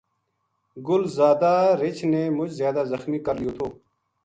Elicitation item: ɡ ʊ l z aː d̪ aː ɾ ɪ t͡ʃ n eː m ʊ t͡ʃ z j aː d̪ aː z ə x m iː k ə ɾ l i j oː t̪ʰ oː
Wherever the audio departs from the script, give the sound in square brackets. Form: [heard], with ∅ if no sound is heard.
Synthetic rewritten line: ɡ ʊ l z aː d̪ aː ɾ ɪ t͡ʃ n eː m ʊ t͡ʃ z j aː d̪ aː z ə x m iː k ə ɾ l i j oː t̪ʰ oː